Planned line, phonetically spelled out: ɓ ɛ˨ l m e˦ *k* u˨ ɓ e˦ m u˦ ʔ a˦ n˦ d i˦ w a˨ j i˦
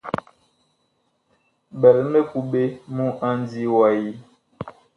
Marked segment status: correct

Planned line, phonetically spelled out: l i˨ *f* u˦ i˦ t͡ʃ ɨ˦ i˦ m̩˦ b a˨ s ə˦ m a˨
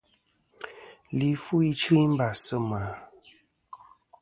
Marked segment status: correct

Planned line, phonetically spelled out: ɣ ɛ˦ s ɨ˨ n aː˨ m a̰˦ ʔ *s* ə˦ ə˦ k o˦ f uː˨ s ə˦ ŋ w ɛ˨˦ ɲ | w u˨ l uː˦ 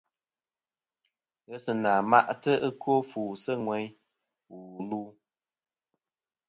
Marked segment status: incorrect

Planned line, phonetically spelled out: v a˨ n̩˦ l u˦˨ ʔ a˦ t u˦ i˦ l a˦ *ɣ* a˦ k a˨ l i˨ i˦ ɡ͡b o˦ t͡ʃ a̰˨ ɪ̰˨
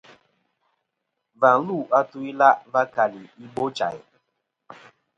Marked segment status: incorrect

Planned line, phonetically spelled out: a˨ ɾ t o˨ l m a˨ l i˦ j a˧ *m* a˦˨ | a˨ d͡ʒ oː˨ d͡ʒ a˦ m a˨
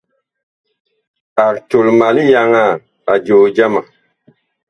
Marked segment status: incorrect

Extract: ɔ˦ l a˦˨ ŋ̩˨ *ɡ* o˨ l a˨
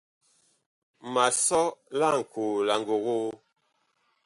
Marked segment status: incorrect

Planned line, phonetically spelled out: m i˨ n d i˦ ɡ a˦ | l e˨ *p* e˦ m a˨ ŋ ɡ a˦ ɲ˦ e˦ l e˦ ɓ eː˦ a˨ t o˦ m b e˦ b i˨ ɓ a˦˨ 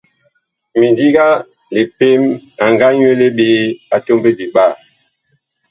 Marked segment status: correct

